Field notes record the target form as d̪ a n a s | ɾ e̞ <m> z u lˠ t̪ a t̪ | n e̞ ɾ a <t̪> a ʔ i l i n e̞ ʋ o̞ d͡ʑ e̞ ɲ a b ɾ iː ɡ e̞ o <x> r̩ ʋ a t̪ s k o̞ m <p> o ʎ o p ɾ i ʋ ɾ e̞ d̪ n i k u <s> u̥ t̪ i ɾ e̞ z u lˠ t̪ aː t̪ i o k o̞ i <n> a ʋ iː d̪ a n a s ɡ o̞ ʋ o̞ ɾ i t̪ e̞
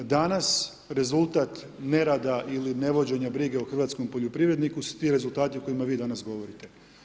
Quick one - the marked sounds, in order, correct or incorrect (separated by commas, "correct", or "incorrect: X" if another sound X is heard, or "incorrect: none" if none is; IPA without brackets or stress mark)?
incorrect: none, incorrect: d̪, correct, correct, correct, incorrect: m